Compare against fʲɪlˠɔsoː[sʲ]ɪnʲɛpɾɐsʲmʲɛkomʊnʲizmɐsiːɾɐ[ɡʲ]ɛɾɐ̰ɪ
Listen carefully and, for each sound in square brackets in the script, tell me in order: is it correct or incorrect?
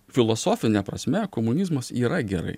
incorrect: fʲ, correct

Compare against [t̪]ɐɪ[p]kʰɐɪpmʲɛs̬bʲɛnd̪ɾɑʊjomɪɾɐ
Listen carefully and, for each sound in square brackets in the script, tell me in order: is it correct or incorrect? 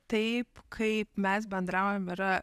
correct, correct

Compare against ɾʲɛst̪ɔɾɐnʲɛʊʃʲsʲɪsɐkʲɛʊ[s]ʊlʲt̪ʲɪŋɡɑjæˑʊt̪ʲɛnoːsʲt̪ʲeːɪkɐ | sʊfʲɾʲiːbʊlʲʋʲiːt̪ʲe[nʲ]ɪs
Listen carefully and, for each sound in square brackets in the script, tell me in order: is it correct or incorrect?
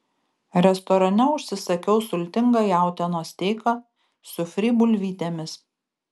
correct, incorrect: mʲ

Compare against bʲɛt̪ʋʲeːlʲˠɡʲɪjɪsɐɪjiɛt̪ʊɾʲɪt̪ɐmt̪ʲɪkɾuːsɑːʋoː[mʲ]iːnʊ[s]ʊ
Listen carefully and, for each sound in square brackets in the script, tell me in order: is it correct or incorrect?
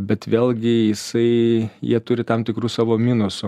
correct, correct

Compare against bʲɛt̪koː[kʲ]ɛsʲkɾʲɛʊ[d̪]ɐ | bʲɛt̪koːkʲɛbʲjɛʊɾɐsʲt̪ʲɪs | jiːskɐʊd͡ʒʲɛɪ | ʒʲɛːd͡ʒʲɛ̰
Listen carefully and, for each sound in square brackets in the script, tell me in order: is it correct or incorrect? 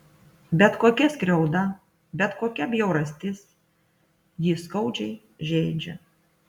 correct, correct

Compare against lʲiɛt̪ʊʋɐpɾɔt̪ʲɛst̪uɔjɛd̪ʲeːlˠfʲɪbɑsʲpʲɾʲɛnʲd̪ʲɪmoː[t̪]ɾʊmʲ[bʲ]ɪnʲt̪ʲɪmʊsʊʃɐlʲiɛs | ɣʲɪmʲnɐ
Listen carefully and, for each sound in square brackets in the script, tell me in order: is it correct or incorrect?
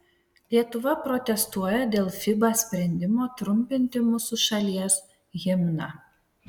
correct, incorrect: pʲ

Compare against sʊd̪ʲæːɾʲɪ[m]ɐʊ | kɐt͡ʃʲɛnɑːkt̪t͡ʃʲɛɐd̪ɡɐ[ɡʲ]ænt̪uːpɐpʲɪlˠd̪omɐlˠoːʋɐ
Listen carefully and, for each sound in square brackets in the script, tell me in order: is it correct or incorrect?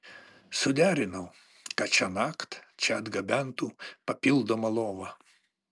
incorrect: n, incorrect: bʲ

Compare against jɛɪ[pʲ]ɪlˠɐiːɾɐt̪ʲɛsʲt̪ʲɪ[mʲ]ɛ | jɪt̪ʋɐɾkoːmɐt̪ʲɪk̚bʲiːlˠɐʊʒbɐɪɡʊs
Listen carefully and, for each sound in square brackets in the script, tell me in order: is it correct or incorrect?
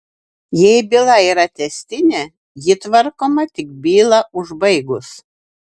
incorrect: bʲ, incorrect: nʲ

